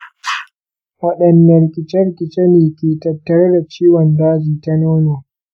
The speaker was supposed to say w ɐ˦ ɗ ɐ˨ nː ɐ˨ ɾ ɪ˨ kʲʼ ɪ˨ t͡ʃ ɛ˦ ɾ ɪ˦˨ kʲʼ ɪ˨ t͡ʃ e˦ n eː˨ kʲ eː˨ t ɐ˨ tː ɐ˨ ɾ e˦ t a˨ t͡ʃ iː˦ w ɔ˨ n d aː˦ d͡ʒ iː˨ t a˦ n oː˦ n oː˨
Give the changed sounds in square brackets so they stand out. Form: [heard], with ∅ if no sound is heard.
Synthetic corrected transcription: w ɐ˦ ɗ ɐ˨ nː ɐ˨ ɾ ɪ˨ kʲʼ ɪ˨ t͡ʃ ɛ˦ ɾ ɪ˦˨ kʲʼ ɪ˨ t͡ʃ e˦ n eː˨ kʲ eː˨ t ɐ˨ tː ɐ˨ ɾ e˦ [d] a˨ t͡ʃ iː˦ w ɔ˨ n d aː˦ d͡ʒ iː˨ t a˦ n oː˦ n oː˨